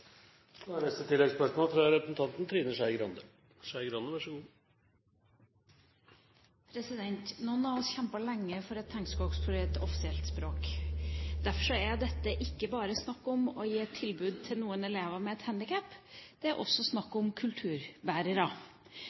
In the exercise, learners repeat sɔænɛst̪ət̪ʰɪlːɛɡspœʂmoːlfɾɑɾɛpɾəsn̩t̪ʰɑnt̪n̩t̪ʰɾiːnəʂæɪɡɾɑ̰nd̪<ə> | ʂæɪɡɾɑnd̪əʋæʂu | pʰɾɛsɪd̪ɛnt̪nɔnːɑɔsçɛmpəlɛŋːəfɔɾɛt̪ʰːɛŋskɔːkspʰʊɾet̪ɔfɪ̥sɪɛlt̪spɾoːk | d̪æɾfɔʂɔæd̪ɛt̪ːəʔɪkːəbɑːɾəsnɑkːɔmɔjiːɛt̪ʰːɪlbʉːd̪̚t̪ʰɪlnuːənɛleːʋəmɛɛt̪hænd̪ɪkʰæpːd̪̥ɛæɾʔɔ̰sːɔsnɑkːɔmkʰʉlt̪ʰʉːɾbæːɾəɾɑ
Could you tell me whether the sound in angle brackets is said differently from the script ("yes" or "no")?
no